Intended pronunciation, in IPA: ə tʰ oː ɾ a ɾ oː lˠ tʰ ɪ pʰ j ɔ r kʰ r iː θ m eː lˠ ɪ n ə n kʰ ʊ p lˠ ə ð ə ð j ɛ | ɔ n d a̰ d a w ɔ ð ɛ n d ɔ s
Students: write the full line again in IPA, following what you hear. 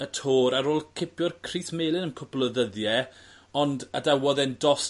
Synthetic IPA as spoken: ə tʰ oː ɾ a ɾ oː lˠ kʰ ɪ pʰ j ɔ r kʰ r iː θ m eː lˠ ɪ n ə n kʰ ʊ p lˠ ə ð ə ð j ɛ | ɔ n d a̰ d a w ɔ ð ɛ n d ɔ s